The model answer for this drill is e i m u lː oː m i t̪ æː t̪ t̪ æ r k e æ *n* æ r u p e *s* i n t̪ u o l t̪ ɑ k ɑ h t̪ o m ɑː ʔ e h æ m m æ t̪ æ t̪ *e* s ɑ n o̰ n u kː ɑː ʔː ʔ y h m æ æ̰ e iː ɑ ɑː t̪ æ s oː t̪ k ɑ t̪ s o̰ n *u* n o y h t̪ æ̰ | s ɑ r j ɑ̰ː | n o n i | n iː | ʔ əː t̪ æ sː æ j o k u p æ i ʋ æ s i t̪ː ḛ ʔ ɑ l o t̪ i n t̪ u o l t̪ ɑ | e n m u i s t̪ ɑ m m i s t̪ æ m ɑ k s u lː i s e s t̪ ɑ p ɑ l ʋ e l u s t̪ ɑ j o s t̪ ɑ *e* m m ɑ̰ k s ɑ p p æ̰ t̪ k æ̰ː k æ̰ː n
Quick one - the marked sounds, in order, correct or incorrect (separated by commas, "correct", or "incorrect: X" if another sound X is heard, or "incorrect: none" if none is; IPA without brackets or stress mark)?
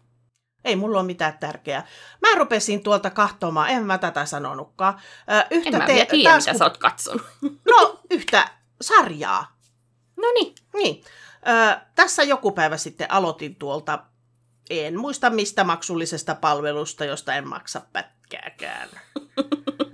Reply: incorrect: m, correct, incorrect: æ, correct, correct